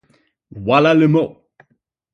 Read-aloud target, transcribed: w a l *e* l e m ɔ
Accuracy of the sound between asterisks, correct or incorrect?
incorrect